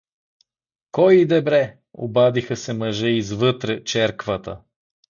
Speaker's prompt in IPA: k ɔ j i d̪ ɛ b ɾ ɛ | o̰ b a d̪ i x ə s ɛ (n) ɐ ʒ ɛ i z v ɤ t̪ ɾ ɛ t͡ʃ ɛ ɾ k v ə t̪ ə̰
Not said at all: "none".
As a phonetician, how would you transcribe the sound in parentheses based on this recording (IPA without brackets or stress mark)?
m